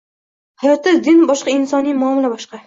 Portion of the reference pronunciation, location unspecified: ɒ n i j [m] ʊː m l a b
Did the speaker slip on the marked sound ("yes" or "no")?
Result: no